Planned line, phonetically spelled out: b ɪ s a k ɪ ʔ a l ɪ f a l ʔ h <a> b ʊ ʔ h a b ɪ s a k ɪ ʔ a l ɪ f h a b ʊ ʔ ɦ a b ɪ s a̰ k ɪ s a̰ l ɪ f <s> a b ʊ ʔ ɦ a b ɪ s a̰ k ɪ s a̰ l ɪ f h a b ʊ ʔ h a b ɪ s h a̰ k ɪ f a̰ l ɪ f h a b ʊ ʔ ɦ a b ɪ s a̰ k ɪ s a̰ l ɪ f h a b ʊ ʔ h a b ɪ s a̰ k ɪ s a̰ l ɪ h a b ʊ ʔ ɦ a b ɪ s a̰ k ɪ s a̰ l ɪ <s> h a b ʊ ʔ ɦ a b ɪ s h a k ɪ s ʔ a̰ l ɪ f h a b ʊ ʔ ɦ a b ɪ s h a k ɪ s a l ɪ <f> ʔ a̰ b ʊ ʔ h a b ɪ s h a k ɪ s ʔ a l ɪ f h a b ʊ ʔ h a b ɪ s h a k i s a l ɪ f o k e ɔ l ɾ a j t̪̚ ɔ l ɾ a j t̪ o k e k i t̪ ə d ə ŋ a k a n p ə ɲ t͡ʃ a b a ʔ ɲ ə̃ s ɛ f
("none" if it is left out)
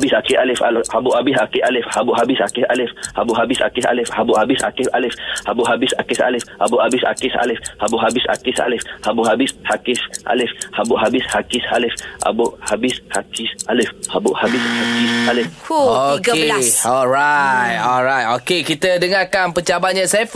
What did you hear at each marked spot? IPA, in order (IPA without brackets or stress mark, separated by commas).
a, h, f, f